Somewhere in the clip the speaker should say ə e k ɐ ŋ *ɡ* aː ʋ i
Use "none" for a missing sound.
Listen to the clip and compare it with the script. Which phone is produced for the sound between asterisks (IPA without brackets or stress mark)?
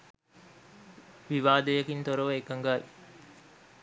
ɡ